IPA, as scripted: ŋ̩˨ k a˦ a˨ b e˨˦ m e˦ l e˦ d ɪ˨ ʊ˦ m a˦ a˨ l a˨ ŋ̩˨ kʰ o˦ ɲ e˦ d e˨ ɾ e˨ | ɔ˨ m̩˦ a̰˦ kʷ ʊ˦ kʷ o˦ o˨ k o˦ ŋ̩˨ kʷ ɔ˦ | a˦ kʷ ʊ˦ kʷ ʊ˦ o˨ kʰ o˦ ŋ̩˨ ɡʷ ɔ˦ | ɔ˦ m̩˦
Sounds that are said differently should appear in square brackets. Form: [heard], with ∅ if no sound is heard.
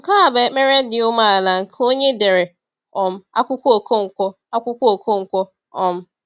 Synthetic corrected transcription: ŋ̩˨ k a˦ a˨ b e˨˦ m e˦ [ɾ] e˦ d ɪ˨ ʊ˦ m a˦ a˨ l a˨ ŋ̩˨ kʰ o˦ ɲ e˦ d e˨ ɾ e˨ | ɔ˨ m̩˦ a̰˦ kʷ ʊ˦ kʷ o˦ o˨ k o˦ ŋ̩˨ kʷ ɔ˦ | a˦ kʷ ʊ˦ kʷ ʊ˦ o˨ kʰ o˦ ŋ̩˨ [kʷ] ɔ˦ | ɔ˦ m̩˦